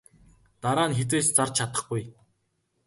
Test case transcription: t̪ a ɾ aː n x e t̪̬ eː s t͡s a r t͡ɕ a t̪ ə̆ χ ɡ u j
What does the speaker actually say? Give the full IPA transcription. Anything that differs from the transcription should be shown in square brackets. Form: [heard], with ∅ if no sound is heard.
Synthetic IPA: t̪ a ɾ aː n x e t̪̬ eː s t͡s a r [t͡ɕʰ] a t̪ ə̆ χ ɡ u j